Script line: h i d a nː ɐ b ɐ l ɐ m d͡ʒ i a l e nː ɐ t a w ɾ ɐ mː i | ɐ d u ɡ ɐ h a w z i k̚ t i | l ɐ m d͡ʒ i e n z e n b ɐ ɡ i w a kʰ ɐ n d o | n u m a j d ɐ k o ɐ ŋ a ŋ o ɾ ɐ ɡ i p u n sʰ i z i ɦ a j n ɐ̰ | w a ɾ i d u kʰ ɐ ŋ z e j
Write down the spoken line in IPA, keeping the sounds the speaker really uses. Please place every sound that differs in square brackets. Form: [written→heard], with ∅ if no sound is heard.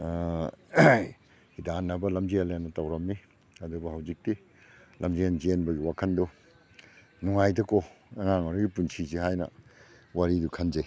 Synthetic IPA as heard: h i d a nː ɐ b ɐ l ɐ m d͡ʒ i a l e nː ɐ t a w ɾ ɐ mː i | ɐ d u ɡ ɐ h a w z i k̚ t i | l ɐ m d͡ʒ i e n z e n b ɐ ɡ i w a kʰ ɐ n d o | n u [m→ŋ] a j d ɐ k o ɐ ŋ a ŋ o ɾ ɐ ɡ i p u n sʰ i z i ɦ a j n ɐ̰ | w a ɾ i d u kʰ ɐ [ŋ→n] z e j